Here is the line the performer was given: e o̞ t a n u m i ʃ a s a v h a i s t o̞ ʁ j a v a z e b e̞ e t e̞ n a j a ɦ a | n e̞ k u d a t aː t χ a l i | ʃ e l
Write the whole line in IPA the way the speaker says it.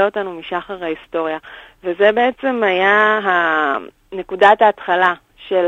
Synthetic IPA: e o̞ t a n u m i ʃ a χ a ʁ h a i s t o̞ ʁ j a v e z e b e̞ e t͡s e̞ m a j a ɦ a | n e̞ k u d a t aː t χ a l a | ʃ e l